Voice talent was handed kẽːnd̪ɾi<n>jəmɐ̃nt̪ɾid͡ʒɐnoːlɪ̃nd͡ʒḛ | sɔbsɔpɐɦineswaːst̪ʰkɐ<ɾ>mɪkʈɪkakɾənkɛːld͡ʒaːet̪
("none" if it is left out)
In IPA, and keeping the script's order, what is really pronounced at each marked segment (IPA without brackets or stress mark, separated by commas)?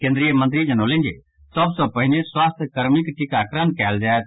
none, ɾ